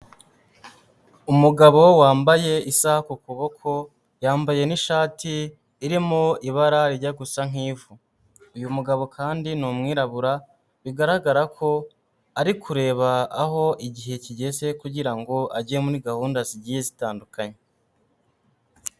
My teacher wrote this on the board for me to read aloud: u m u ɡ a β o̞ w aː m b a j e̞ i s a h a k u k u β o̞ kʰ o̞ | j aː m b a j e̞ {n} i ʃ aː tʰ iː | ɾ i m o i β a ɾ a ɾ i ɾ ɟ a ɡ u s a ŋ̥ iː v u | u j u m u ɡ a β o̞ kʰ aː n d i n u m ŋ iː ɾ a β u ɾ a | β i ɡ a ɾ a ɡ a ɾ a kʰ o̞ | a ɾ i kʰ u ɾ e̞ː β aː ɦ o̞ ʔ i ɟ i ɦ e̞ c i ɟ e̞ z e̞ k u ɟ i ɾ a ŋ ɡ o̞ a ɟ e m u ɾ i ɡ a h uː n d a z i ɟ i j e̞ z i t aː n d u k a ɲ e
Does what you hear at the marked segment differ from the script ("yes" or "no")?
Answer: no